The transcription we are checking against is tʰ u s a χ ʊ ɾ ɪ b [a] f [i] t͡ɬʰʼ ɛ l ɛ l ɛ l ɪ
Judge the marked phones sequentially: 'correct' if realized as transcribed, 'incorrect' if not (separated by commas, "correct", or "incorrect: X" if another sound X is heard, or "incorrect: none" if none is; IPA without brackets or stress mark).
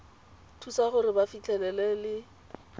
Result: correct, correct